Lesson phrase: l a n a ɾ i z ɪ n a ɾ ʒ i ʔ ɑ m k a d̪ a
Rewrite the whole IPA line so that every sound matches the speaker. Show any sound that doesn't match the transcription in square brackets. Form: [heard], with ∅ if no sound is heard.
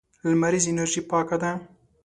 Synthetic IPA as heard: l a [m] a ɾ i z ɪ n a ɾ ʒ i [p] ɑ [∅] k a d̪ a